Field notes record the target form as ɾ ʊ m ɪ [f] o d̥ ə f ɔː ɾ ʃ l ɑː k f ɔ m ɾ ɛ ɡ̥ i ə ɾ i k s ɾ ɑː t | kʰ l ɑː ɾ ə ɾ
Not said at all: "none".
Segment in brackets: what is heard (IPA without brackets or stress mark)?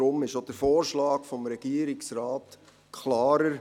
ʃ